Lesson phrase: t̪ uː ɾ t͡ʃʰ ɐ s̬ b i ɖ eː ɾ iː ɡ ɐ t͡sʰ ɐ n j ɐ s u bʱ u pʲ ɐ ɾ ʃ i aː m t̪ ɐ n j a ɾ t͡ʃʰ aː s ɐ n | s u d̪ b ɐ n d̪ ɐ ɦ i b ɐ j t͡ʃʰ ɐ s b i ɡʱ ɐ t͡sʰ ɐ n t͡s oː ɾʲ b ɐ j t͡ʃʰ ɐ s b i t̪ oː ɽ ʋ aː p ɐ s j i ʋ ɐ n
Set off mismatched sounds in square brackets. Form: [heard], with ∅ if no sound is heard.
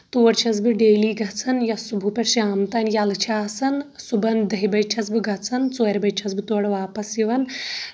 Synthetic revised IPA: t̪ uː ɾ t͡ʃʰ ɐ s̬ b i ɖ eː [l] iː ɡ ɐ t͡sʰ ɐ n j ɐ s u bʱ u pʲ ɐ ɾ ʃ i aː m t̪ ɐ n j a [l] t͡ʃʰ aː s ɐ n | s u [∅] b ɐ n d̪ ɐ ɦ i b ɐ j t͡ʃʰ ɐ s b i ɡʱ ɐ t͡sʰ ɐ n t͡s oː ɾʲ b ɐ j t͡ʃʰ ɐ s b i t̪ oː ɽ ʋ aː p ɐ s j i ʋ ɐ n